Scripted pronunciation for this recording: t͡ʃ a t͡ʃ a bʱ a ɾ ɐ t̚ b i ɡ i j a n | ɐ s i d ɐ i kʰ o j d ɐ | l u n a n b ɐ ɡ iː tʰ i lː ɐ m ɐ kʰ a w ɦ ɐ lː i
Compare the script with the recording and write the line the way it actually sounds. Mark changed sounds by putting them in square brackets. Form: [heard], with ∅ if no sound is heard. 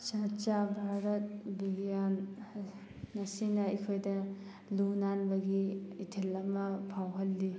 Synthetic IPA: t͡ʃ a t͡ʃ a bʱ a ɾ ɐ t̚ b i ɡ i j a n | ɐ s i [n] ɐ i kʰ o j d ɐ | l u n a n b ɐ ɡ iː tʰ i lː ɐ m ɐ [pʰ] a w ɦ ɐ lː i

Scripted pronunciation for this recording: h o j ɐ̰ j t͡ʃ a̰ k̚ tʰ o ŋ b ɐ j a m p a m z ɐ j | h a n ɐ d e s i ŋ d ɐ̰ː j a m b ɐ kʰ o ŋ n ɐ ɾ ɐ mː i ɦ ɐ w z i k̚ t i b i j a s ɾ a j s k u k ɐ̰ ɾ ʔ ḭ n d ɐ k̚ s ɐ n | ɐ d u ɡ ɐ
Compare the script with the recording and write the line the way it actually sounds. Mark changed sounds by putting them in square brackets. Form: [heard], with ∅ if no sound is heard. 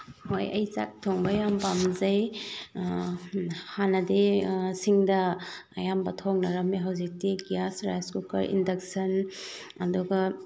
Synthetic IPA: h o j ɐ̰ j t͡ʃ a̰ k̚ tʰ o ŋ b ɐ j a m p a m z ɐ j | h a n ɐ d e s i ŋ d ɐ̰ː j a m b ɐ [tʰ] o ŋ n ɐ ɾ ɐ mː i ɦ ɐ w z i k̚ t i [ɡ] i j a s ɾ a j s k u k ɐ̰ ɾ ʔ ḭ n d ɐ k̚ s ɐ n | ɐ d u ɡ ɐ

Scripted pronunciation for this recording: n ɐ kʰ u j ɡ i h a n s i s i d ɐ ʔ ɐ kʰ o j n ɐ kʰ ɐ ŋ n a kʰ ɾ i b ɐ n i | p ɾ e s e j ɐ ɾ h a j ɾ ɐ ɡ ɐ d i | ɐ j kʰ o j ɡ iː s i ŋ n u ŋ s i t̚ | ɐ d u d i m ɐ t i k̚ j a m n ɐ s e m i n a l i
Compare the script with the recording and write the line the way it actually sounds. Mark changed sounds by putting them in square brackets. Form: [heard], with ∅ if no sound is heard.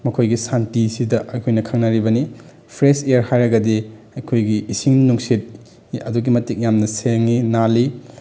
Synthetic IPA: [m] ɐ kʰ [o] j ɡ i [s] a n [t] i s i d ɐ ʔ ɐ kʰ o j n ɐ kʰ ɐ ŋ n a [∅] ɾ i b ɐ n i | [pʰ] ɾ e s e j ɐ ɾ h a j ɾ ɐ ɡ ɐ d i | ɐ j kʰ o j ɡ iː s i ŋ n u ŋ s i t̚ | ɐ d u [ɡ] i m ɐ t i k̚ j a m n ɐ s e [ŋ] i n a l i

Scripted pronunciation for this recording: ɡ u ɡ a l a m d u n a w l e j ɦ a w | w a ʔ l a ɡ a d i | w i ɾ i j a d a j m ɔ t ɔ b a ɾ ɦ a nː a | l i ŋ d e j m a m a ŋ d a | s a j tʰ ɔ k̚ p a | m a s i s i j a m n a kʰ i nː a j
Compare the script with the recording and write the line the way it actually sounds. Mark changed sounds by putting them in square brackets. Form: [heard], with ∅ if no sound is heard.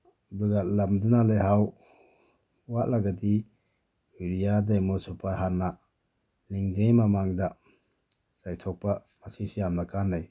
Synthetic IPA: [d] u ɡ a l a m d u n a [∅] l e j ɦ a w | w a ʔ l a ɡ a d i | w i ɾ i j a d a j m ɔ [s] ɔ [p] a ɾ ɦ a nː a | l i ŋ d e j m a m a ŋ d a | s a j tʰ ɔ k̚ p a | m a s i s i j a m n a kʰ [a] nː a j

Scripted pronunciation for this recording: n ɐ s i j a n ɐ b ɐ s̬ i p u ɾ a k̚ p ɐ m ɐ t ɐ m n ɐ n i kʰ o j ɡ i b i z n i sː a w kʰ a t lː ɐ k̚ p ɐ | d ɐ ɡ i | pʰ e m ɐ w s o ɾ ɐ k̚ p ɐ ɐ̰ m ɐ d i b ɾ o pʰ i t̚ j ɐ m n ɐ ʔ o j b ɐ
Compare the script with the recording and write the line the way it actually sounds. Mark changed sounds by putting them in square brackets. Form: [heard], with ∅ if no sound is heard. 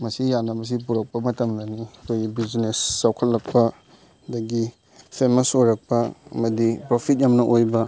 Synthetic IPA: [m] ɐ s i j a n ɐ b ɐ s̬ i p u ɾ [ɐ] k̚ p ɐ m ɐ t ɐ m n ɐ n i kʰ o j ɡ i b i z n [e] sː a w kʰ [ɐ] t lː ɐ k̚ p ɐ | d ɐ ɡ i | pʰ e m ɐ [∅] s o ɾ ɐ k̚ p ɐ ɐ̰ m ɐ d i [p] ɾ o pʰ i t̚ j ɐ m n ɐ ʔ o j b ɐ

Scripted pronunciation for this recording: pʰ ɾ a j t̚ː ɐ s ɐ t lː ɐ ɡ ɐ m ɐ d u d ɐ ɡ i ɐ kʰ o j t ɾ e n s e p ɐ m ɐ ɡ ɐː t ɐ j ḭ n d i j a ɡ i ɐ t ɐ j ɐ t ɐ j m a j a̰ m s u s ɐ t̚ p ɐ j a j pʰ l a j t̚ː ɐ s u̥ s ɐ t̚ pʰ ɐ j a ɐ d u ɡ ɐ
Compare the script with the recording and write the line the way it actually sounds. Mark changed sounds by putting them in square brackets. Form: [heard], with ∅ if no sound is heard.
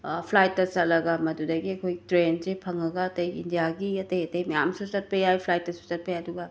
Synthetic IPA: pʰ [l] a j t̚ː ɐ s ɐ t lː ɐ ɡ ɐ m ɐ d u d ɐ ɡ i ɐ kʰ o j t ɾ e n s e [pʰ] ɐ [ŋ] ɐ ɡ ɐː t ɐ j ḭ n d i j a ɡ i ɐ t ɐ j ɐ t ɐ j m [ɐ] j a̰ m s u s ɐ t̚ p ɐ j a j pʰ l a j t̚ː ɐ s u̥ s ɐ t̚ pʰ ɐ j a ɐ d u ɡ ɐ

